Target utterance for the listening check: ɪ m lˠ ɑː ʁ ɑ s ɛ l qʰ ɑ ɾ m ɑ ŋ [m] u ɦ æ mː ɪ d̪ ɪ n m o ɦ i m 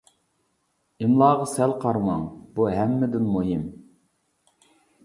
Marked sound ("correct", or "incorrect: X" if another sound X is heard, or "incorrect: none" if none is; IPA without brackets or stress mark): incorrect: b